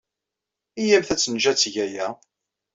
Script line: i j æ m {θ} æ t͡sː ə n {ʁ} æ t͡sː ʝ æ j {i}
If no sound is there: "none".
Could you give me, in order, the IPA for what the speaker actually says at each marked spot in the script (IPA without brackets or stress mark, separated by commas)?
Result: θ, ʒ, æ